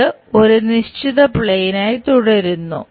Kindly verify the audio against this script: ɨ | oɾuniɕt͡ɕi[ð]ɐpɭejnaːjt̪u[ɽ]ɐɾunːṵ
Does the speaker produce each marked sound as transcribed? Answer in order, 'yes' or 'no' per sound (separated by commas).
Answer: yes, yes